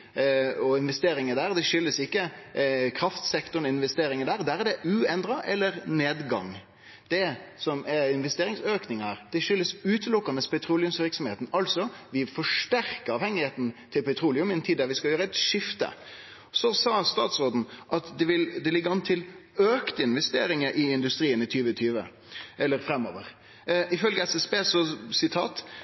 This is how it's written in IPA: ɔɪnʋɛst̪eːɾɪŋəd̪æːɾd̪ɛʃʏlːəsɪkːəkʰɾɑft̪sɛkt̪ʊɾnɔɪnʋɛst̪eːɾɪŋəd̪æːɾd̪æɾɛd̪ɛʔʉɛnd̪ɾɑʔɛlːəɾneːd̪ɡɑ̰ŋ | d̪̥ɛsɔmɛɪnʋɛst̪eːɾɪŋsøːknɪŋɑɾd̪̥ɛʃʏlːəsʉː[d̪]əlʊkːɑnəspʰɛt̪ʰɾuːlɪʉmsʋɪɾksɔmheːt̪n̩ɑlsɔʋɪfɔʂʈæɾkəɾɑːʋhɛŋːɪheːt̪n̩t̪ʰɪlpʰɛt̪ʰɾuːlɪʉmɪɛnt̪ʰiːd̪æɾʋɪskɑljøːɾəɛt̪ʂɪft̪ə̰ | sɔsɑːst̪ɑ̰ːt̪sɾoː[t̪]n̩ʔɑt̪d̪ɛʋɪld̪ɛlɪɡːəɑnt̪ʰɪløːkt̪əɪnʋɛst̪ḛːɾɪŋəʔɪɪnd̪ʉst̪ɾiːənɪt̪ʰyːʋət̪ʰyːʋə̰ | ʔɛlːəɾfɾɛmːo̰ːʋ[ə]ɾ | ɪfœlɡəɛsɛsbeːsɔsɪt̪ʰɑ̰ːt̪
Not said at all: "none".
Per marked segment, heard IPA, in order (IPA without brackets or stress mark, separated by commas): t̪, d̪, ə